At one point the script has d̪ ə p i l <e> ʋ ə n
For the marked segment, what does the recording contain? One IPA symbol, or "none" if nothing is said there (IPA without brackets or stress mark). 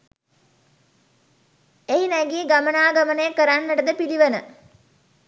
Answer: i